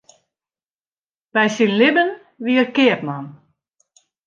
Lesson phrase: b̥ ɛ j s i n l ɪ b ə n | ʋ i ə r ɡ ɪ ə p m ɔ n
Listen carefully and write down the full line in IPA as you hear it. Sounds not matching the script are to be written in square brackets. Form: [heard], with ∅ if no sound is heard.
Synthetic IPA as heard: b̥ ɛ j s i n l ɪ b ə n | ʋ i ə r [k] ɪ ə p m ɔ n